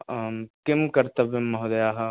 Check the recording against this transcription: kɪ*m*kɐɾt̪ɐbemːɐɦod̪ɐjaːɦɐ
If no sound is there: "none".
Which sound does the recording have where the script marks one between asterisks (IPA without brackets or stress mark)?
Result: m